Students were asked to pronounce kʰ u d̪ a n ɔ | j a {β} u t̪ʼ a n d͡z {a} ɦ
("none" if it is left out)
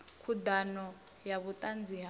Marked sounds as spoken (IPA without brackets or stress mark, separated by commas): β, i